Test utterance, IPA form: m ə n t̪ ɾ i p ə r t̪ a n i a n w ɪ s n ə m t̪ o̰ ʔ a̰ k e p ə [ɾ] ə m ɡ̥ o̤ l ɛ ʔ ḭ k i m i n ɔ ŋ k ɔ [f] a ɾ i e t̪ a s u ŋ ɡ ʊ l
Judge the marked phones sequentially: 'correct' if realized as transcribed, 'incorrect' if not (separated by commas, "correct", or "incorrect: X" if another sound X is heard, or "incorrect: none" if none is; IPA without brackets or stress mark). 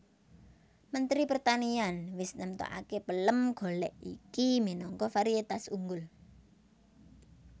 incorrect: l, correct